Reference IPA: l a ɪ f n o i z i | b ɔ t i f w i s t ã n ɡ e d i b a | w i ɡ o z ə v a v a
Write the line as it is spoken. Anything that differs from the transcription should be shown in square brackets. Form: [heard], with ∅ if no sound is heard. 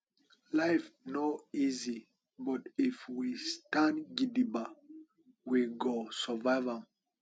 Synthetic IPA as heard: l a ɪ f n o i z i | b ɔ t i f w i s t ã n ɡ [i] d i b a | w i ɡ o [s] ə v a v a